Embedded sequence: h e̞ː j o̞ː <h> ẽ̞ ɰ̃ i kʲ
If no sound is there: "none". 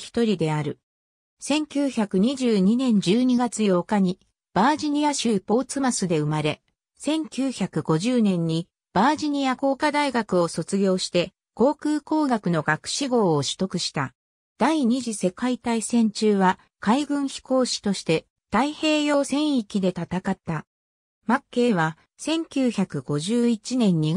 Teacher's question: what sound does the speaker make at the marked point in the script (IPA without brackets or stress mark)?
s